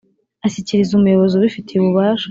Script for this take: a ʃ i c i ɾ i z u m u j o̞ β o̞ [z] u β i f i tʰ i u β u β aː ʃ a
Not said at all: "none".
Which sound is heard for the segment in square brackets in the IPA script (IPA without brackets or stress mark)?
z